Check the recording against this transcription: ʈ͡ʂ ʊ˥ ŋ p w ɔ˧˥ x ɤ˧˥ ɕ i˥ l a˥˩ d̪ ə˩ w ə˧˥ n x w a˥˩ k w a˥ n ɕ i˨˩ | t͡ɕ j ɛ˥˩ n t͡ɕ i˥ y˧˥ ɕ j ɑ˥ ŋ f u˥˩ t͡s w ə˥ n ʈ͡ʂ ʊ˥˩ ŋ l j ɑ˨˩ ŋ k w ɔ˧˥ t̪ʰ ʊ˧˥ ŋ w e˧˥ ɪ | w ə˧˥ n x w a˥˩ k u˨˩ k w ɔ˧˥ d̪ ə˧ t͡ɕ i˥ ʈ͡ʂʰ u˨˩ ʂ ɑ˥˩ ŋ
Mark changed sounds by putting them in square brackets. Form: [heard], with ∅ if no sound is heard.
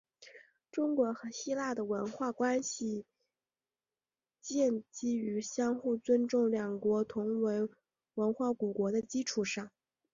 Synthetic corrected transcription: ʈ͡ʂ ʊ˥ ŋ [k] w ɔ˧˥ x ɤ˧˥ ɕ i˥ l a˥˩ d̪ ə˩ w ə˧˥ n x w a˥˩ k w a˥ n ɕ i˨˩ | t͡ɕ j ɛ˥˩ n t͡ɕ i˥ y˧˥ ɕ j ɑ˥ ŋ [x] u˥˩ t͡s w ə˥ n ʈ͡ʂ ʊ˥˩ ŋ l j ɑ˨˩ ŋ k w ɔ˧˥ t̪ʰ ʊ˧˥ ŋ w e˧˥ ɪ | w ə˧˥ n x w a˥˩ k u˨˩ k w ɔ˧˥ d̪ ə˧ t͡ɕ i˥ ʈ͡ʂʰ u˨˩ ʂ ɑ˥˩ ŋ